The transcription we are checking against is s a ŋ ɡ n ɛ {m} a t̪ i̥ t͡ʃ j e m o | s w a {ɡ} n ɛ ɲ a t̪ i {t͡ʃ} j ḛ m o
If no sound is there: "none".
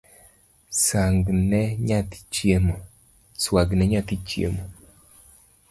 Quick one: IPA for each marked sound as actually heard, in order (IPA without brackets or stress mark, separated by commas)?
ɲ, ɡ, t͡ʃ